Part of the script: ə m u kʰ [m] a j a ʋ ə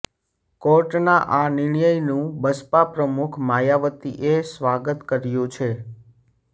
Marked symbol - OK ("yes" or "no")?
yes